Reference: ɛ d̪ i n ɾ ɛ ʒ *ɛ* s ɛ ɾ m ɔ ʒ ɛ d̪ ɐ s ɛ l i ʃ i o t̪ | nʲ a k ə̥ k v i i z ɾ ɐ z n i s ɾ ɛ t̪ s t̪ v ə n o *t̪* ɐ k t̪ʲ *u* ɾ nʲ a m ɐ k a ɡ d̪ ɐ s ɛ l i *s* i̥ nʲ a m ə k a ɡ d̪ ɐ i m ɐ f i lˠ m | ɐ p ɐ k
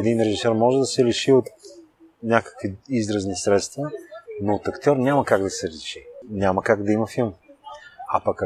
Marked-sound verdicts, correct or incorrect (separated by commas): incorrect, correct, incorrect, incorrect